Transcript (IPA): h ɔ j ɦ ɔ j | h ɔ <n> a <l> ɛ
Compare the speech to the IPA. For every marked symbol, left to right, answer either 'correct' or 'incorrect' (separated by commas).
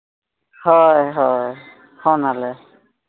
correct, correct